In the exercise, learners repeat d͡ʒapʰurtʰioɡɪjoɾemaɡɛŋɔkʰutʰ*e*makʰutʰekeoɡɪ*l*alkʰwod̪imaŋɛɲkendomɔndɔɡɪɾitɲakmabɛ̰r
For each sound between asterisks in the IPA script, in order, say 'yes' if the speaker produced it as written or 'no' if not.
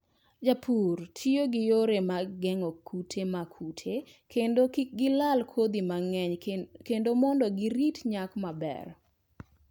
yes, yes

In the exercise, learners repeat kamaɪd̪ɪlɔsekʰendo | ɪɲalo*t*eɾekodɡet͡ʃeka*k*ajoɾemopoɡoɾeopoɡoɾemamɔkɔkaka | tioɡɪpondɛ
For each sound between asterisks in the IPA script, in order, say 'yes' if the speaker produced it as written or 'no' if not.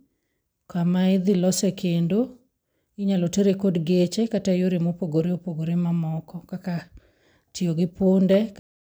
yes, no

